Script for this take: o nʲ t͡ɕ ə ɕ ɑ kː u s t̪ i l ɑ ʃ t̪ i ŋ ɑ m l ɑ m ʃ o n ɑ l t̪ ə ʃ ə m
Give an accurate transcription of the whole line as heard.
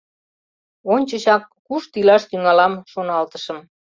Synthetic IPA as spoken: o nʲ t͡ɕ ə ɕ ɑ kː u ʃ t̪ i l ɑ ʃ t̪ y ŋ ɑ l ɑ m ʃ o n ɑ l t̪ ə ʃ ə m